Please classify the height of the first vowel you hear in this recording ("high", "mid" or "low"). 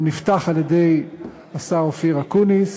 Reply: high